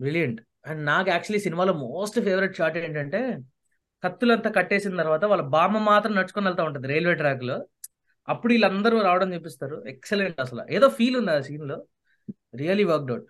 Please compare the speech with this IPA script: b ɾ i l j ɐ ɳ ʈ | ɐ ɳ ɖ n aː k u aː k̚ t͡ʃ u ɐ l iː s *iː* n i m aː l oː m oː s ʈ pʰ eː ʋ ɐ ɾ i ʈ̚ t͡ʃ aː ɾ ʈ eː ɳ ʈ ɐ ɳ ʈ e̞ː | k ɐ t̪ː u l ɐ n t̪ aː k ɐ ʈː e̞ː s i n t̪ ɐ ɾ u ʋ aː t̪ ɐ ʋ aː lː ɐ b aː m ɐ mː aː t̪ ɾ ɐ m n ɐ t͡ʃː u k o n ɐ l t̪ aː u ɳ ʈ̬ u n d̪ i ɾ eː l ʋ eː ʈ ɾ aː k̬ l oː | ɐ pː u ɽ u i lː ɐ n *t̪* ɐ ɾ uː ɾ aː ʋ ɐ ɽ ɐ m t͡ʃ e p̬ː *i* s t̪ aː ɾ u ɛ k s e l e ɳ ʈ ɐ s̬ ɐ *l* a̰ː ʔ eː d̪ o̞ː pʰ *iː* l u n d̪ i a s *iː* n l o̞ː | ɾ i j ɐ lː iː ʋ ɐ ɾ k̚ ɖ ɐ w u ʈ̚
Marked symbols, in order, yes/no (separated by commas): no, no, yes, yes, yes, yes